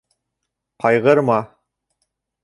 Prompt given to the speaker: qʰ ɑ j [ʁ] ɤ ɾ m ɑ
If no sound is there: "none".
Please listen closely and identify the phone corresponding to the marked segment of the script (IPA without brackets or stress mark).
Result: ʁ